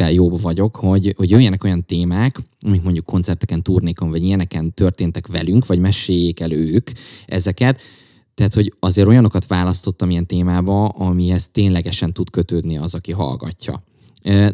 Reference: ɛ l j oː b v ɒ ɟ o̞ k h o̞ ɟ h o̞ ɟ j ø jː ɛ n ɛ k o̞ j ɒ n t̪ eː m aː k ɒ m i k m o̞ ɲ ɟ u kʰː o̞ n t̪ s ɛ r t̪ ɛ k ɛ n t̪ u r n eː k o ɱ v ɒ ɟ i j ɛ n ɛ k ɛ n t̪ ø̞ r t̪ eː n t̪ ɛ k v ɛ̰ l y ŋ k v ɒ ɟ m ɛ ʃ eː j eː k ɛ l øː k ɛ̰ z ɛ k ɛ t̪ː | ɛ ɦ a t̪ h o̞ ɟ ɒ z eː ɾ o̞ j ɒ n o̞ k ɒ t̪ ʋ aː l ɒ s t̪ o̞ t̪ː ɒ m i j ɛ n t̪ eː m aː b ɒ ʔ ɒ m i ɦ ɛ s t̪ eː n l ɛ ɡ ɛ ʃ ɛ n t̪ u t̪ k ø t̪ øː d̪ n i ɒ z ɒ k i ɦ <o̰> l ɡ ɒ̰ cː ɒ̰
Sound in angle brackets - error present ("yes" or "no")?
yes